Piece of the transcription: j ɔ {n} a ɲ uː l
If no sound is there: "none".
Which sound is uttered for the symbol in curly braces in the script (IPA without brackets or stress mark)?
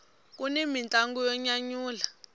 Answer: ɲ